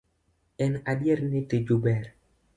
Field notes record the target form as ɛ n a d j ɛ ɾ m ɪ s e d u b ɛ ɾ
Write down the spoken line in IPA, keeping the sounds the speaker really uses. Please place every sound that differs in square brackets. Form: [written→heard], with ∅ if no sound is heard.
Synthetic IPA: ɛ n a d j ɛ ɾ [m→n] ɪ [s→t] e [d→d͡ʒ] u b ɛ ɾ